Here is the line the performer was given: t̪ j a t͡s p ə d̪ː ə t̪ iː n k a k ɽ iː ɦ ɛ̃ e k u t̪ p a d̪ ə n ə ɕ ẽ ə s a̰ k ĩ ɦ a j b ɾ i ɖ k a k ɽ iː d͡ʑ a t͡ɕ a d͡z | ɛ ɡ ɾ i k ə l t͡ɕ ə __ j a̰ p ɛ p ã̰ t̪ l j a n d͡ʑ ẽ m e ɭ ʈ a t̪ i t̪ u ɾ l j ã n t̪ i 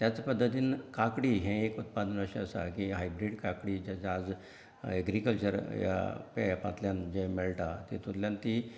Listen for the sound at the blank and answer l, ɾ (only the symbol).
ɾ